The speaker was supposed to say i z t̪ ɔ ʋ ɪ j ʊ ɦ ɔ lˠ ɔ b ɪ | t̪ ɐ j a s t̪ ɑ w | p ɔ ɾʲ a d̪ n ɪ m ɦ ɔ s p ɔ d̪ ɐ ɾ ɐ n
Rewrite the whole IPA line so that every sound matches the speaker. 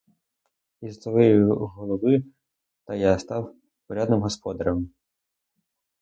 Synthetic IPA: i z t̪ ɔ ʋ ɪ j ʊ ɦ ɔ lˠ ɔ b ɪ | t̪ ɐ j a s t̪ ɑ w | p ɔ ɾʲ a d̪ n ɪ m ɦ ɔ s p ɔ d̪ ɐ ɾ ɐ m